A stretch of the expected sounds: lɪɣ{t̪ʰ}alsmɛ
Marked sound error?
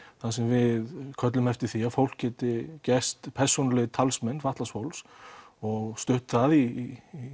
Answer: no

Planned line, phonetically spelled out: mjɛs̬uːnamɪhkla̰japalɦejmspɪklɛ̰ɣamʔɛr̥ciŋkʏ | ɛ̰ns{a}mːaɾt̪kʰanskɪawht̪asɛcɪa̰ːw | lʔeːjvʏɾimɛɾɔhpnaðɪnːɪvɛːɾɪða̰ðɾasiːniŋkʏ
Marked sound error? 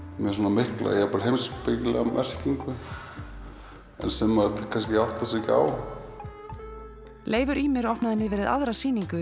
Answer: yes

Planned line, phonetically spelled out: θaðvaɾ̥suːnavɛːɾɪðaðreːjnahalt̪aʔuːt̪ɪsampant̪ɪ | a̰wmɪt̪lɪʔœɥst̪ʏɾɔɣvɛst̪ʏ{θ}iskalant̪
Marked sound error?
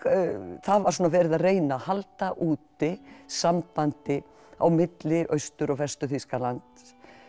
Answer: no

